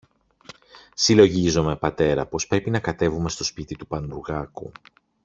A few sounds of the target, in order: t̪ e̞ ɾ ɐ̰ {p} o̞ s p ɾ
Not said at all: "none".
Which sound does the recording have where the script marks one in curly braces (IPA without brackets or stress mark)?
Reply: p